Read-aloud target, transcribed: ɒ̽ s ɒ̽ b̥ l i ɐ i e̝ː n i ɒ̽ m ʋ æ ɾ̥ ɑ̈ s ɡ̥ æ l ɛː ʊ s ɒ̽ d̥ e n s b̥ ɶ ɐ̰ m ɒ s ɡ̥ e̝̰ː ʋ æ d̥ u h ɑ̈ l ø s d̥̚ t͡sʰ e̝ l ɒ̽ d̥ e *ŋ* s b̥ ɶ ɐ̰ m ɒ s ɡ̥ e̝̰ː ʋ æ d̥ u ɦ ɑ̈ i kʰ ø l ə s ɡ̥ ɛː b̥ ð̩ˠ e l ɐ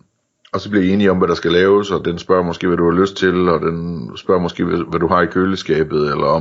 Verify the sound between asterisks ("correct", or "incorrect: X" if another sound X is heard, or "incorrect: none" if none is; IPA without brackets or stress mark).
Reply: incorrect: n